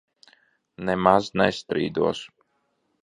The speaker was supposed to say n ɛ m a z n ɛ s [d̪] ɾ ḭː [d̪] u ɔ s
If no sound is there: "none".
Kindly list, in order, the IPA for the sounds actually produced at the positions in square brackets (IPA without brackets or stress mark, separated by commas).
t̪, d̪